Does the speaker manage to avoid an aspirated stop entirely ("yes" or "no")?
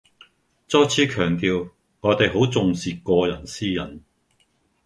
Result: no